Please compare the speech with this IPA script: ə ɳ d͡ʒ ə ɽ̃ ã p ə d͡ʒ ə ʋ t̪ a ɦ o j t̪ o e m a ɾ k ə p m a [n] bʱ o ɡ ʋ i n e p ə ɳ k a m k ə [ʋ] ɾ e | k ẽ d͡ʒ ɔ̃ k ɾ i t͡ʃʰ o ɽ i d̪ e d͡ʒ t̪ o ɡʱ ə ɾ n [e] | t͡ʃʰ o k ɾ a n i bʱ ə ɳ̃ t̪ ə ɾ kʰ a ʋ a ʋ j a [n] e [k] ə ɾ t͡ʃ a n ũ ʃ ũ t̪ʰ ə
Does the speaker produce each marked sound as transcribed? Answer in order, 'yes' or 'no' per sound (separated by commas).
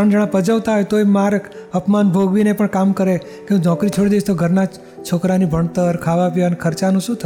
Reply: yes, no, no, yes, no